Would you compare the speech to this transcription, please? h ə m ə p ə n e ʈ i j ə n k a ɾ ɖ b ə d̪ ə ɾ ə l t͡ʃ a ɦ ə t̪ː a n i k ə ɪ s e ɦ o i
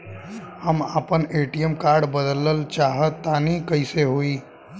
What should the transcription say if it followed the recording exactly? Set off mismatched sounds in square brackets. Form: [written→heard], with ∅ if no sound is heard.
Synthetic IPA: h ə m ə p ə n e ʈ i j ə [n→m] k a ɾ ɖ b ə d̪ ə [ɾ→l] ə l t͡ʃ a ɦ ə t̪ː a n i k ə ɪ s e ɦ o i